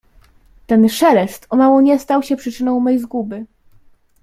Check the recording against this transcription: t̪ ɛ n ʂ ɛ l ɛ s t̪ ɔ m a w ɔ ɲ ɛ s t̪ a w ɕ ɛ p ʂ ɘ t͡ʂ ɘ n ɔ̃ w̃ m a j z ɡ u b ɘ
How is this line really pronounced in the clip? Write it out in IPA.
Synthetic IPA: t̪ ɛ n ʂ ɛ l ɛ s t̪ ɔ m a w ɔ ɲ ɛ s t̪ a w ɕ ɛ p ʂ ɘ t͡ʂ ɘ n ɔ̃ w̃ m ɛ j z ɡ u b ɘ